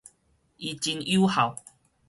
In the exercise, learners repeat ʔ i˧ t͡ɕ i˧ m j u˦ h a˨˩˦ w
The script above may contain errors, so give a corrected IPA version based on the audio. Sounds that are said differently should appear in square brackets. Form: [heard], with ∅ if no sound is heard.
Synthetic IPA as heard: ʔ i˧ t͡ɕ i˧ [n] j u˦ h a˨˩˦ w